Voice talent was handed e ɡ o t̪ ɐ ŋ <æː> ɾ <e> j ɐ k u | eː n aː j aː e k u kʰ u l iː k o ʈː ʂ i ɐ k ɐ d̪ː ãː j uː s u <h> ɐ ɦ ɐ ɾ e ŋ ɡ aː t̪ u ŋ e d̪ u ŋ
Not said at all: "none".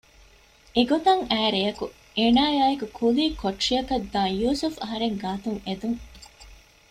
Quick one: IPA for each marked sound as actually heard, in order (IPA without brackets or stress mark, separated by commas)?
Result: æː, e, f